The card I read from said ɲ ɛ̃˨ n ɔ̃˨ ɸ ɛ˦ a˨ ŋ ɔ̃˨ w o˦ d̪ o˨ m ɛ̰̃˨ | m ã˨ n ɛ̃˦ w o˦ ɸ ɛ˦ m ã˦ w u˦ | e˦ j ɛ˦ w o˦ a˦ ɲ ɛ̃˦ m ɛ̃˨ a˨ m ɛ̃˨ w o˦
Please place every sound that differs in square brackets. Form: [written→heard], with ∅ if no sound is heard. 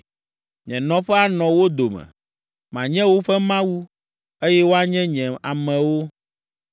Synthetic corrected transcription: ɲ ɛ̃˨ n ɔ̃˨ ɸ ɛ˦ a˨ [ŋ→n] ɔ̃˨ w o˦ d̪ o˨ m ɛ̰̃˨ | m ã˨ [n→ɲ] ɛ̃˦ w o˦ ɸ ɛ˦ m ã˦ w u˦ | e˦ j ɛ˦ w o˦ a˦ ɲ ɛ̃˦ [m→ɲ] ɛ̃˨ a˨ m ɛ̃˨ w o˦